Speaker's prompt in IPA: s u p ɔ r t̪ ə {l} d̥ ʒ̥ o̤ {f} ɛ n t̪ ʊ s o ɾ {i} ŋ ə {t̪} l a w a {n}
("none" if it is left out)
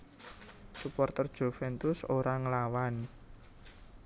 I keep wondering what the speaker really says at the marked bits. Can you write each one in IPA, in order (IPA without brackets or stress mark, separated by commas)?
r, f, a, none, n